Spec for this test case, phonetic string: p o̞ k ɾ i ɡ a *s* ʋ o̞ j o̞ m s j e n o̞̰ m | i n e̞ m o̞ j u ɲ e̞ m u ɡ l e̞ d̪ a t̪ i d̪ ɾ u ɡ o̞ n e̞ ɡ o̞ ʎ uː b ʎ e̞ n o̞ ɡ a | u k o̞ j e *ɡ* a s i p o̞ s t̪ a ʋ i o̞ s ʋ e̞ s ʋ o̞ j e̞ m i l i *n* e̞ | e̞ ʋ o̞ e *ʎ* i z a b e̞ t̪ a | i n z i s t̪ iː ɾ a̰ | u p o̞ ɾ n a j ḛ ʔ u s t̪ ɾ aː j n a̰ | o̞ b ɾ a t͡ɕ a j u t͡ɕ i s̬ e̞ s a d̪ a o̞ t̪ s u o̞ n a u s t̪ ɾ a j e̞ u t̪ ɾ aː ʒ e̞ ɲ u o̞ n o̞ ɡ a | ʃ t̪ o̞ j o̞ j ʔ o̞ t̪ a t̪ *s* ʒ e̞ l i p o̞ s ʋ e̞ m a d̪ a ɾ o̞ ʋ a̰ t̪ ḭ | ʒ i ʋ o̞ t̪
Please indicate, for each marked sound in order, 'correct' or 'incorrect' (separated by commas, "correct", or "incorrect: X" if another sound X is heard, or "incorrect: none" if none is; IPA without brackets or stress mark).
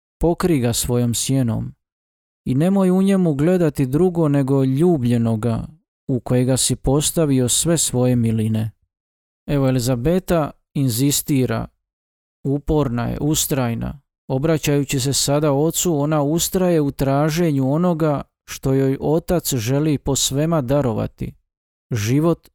correct, correct, correct, incorrect: l, correct